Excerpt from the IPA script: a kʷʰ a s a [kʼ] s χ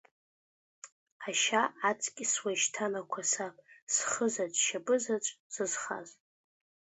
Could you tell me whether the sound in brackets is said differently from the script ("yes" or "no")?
yes